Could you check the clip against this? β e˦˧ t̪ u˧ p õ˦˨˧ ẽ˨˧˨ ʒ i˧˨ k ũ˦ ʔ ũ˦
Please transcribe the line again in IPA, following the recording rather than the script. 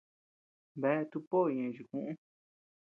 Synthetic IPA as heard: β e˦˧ t̪ u˧ p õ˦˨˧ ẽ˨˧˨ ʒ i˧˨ k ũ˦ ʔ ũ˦